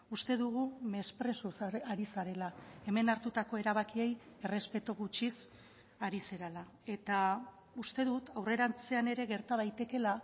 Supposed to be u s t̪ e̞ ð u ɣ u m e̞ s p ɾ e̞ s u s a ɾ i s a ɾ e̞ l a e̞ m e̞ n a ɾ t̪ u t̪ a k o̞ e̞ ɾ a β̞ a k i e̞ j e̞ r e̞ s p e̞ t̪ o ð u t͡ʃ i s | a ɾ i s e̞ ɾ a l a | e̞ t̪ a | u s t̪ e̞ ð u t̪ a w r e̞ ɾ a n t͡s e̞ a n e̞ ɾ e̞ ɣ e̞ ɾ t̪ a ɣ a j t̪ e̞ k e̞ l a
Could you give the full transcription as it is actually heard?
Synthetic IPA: u s t̪ e̞ ð u ɣ u m e̞ s p ɾ e̞ s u s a ɾ i s a ɾ e̞ l a e̞ m e̞ n a ɾ t̪ u t̪ a k o̞ e̞ ɾ a β̞ a k i e̞ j e̞ r e̞ s p e̞ t̪ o ɣ u t͡ʃ i s | a ɾ i s e̞ ɾ a l a | e̞ t̪ a | u s t̪ e̞ ð u t̪ a w r e̞ ɾ a n t͡s e̞ a n e̞ ɾ e̞ ɣ e̞ ɾ t̪ a ð a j t̪ e̞ k e̞ l a